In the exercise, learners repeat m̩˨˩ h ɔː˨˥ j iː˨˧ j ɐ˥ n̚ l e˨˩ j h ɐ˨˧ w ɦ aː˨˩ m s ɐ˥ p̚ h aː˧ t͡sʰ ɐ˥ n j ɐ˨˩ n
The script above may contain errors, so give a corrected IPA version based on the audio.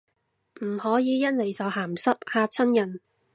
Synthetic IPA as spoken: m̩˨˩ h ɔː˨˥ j iː˨˧ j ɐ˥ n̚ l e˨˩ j s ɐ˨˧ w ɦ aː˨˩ m s ɐ˥ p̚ h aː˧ t͡sʰ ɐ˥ n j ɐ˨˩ n